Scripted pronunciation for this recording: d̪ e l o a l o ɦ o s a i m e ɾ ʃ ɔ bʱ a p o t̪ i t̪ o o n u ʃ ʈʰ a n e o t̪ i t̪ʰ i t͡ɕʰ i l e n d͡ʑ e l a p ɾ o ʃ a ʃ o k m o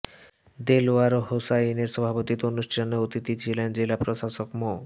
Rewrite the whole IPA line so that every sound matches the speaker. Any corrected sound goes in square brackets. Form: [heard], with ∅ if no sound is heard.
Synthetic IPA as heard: d̪ e l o a [ɾ] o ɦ o s a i [n] e ɾ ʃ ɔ bʱ a p o t̪ i t̪ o o n u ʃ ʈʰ a n e o t̪ i [t̪] i t͡ɕʰ i l e n d͡ʑ e l a p ɾ o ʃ a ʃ o k m o